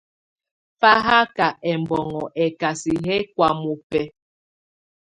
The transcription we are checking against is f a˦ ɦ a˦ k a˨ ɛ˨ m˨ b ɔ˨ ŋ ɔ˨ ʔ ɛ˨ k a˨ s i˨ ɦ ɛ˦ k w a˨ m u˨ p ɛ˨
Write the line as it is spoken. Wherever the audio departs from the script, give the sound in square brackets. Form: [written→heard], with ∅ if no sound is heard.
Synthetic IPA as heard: f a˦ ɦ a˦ k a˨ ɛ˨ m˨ b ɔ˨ ŋ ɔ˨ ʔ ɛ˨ k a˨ s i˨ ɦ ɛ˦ k w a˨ m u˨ p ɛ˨